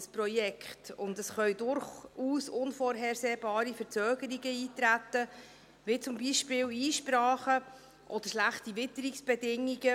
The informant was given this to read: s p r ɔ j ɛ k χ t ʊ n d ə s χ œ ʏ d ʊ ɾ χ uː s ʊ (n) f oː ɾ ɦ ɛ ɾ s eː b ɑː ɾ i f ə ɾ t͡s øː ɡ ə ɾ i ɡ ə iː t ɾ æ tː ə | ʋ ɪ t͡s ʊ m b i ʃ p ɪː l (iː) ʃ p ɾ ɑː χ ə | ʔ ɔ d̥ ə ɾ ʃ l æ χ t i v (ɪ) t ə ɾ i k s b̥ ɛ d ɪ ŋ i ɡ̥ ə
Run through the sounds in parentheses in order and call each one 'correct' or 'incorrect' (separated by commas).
correct, correct, correct